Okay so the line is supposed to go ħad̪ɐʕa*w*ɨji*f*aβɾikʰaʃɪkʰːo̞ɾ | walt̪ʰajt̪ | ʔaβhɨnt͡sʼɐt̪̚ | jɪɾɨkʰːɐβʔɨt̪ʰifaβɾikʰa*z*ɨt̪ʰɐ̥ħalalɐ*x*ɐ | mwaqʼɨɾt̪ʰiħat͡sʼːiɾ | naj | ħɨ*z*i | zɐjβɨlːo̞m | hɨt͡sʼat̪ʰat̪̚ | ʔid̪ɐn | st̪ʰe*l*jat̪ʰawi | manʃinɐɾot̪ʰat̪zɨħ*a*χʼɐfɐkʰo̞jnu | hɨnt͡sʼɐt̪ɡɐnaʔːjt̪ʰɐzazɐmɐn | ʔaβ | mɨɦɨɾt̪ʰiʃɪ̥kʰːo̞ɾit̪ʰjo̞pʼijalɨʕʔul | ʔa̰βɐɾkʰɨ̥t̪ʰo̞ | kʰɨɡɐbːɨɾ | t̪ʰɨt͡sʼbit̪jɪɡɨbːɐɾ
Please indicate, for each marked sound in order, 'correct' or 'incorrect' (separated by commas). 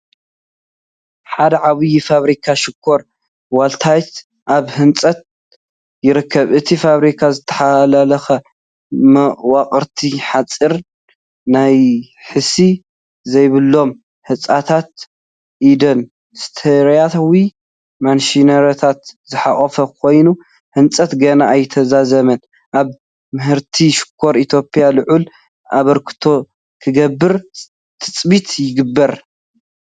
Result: incorrect, correct, correct, correct, incorrect, incorrect, correct